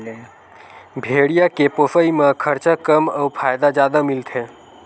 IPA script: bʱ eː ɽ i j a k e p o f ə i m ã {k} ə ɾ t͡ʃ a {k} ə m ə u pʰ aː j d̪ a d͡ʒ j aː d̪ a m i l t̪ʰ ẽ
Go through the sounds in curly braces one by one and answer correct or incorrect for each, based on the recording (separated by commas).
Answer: incorrect, correct